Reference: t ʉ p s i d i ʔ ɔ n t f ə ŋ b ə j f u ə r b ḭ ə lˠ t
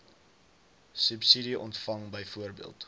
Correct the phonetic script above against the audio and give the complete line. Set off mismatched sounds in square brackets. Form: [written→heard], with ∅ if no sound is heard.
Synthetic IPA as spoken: [t→s] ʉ p s i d i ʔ ɔ n t f [ə→ɐ] ŋ b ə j f u ə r b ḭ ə lˠ t